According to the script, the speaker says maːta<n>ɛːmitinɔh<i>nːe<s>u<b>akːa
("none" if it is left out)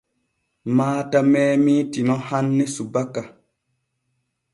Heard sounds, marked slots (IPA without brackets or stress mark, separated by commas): m, a, s, b